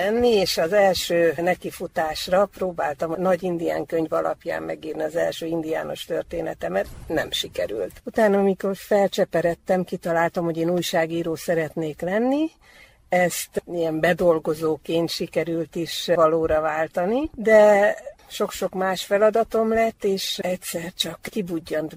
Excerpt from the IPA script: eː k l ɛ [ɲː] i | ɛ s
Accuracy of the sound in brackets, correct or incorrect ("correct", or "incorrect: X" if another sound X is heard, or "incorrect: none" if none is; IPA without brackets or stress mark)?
incorrect: nː